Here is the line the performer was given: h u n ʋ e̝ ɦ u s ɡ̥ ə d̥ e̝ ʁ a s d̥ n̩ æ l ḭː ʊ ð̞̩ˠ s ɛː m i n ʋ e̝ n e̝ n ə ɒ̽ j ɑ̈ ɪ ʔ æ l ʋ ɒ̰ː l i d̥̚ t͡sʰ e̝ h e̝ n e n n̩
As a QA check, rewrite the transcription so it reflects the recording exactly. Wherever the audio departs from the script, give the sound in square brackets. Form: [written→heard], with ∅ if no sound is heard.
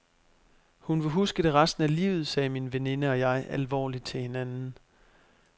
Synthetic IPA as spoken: h u n ʋ e̝ ɦ u s ɡ̥ ə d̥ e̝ ʁ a s d̥ n̩ æ l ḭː ʊ ð̞̩ˠ s ɛː m i n ʋ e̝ n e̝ n ə ɒ̽ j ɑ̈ ɪ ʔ æ l ʋ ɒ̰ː l i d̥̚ t͡sʰ e̝ h e̝ n [e→æ] n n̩